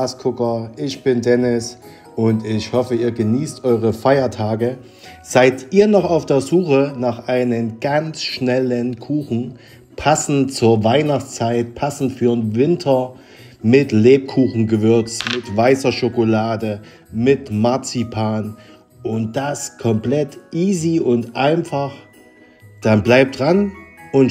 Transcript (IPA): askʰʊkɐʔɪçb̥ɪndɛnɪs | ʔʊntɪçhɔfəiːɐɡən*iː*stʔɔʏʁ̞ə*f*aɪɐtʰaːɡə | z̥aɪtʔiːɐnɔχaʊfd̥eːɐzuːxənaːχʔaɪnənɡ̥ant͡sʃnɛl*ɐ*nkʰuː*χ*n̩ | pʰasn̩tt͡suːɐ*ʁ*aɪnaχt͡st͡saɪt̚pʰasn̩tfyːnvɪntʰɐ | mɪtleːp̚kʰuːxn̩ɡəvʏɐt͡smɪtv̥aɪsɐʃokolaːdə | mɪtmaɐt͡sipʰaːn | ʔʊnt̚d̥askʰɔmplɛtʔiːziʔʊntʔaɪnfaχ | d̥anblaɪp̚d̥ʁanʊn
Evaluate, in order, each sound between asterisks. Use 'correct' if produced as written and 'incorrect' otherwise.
correct, correct, incorrect: ə, incorrect: x, incorrect: v

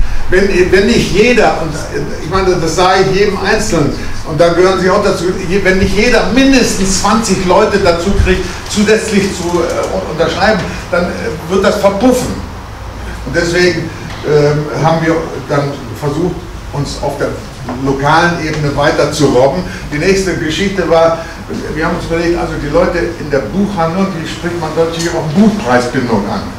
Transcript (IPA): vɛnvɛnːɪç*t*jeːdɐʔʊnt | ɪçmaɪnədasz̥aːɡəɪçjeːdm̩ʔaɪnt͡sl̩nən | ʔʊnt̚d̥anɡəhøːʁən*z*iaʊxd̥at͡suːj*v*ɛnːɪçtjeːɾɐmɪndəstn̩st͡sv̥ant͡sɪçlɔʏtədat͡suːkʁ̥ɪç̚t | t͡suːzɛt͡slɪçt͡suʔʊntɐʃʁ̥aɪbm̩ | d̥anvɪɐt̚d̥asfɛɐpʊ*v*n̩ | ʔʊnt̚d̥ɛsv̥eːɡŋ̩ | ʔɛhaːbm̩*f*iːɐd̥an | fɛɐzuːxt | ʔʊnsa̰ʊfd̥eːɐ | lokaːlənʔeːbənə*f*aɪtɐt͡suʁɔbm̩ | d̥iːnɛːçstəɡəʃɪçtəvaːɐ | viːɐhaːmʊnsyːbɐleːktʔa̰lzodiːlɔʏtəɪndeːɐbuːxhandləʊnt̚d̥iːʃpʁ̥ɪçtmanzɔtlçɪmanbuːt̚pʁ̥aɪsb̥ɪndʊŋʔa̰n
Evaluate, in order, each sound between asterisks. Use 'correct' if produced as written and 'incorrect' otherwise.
correct, correct, correct, incorrect: f, incorrect: v, incorrect: v

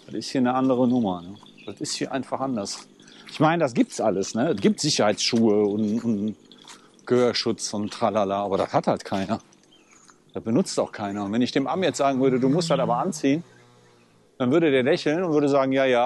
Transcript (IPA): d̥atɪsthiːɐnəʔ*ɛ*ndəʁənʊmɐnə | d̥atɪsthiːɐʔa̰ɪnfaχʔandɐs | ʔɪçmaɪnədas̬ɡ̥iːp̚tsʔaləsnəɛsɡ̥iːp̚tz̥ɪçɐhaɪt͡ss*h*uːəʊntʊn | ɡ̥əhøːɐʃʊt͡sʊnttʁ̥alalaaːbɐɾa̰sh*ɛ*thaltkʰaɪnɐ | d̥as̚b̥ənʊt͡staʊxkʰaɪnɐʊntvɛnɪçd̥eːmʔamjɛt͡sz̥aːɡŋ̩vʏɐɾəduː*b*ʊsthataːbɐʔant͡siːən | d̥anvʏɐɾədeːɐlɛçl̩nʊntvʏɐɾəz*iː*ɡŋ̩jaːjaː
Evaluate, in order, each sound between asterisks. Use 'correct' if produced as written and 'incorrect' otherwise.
incorrect: a, incorrect: ʃ, incorrect: a, incorrect: m, incorrect: aː

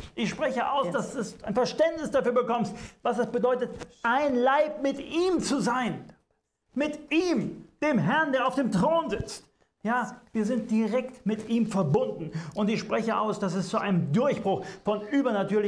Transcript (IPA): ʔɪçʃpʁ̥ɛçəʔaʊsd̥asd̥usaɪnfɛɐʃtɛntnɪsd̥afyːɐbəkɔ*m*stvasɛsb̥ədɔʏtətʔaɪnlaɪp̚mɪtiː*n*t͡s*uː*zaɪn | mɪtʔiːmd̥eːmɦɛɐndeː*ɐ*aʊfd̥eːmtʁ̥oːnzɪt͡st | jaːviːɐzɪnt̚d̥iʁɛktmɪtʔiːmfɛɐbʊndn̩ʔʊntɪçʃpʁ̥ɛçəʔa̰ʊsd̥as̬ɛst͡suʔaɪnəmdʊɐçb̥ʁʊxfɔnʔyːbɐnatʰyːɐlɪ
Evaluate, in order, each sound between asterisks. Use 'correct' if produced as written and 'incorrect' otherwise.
correct, incorrect: m, incorrect: u, correct

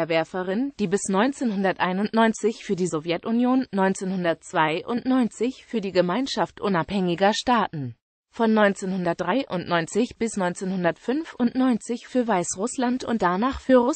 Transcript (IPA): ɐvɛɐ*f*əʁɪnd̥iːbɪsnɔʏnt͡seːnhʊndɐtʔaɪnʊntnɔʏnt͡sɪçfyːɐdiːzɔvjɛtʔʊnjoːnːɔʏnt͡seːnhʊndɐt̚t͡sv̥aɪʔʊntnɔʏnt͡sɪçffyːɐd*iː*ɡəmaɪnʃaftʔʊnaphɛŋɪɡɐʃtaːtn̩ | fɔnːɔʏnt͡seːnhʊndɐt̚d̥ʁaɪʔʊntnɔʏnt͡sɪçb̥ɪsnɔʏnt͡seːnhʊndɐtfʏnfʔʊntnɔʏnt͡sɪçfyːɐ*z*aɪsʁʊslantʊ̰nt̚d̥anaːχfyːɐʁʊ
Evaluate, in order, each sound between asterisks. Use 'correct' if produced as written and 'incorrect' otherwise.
correct, correct, incorrect: v

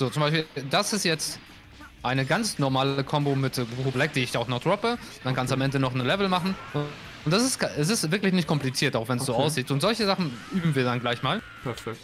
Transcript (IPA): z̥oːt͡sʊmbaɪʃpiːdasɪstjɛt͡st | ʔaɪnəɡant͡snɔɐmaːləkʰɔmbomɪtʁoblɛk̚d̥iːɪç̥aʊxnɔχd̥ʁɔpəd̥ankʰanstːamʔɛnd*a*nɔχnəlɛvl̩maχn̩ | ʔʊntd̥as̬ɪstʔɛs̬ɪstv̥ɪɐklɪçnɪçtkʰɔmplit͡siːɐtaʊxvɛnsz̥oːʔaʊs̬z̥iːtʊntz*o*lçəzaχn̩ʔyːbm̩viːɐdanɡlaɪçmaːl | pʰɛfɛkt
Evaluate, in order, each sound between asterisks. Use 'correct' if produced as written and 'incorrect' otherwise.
incorrect: ə, incorrect: ɔ

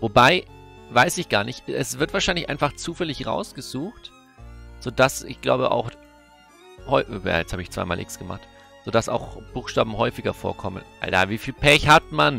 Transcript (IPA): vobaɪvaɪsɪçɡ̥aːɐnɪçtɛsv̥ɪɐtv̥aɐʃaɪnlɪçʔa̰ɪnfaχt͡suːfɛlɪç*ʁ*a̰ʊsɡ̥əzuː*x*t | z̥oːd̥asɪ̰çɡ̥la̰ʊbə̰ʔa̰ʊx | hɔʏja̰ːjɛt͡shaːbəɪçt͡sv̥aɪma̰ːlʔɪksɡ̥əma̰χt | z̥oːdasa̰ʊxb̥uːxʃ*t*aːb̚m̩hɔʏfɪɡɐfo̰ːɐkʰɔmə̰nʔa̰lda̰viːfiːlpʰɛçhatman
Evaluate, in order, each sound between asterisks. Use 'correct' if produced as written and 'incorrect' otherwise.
correct, correct, correct

